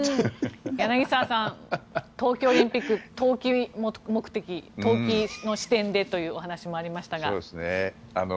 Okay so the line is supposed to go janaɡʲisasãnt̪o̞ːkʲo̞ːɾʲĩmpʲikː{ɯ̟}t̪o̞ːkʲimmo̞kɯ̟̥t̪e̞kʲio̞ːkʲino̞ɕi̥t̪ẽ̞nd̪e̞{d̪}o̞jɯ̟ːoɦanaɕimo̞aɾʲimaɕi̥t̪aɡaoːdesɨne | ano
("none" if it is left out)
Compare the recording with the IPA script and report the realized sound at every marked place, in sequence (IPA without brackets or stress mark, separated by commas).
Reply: ɯ̟, t̪